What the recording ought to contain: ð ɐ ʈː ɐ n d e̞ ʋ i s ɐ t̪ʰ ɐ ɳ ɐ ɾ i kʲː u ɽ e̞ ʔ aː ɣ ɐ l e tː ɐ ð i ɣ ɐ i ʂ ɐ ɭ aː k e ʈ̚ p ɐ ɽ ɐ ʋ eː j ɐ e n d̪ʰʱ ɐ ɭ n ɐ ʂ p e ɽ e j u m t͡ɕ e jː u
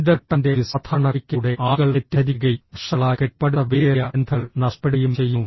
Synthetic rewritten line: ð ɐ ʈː ɐ n d e̞ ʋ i s ɐ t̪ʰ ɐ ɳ ɐ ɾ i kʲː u ɽ e̞ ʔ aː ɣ ɐ ɭ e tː ɐ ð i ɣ ɐ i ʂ ɐ ɭ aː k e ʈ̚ p ɐ ɽ ɐ ʋ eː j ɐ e n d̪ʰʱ ɐ ɭ n ɐ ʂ p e ɽ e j u m t͡ɕ e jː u